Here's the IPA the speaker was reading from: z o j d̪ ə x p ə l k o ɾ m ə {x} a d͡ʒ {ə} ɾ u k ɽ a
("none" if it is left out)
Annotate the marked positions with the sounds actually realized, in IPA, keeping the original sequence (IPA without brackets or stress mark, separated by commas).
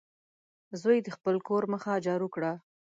x, ɑ